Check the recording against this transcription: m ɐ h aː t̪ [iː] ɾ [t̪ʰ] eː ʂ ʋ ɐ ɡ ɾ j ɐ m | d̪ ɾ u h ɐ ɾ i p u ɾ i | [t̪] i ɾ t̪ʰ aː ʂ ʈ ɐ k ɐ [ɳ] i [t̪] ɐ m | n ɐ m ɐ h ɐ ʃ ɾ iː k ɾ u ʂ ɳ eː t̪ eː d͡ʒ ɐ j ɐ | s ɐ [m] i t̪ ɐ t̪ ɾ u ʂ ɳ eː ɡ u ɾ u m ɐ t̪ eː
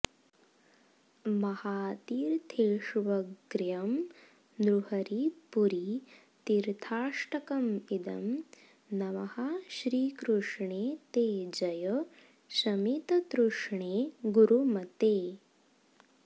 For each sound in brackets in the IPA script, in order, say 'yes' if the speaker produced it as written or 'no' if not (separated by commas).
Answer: yes, yes, yes, no, no, yes